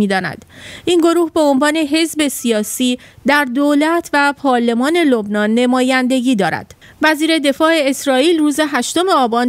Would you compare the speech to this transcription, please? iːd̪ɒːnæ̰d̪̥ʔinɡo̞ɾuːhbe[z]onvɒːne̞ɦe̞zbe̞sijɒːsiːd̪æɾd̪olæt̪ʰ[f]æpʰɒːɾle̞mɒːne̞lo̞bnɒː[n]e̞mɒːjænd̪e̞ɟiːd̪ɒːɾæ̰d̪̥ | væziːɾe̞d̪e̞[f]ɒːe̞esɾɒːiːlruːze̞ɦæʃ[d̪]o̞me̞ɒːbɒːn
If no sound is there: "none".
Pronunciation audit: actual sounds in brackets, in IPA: none, v, nː, f, t̪

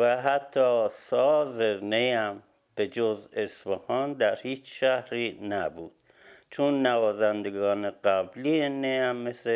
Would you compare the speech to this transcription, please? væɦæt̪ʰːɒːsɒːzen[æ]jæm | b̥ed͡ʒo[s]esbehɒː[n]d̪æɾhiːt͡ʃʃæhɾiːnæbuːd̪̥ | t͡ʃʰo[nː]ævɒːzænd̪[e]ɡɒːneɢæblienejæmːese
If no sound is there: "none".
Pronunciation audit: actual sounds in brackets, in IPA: e, z, n, nː, e

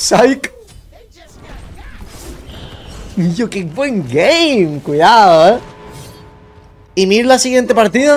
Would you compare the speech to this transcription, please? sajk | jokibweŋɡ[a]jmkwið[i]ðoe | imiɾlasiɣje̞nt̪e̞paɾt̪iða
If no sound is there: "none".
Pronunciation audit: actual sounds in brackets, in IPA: e, a

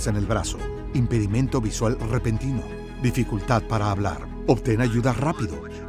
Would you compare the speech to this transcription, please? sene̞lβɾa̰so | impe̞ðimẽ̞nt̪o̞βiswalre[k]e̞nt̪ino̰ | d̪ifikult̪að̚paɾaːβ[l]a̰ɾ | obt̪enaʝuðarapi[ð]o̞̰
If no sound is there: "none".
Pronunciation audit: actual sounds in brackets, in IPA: p, l, ð

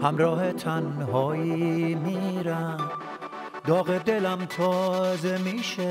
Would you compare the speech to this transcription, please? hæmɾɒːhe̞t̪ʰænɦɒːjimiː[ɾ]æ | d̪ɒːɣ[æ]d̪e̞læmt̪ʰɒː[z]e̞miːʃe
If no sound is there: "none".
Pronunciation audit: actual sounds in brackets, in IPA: ɾ, e, z

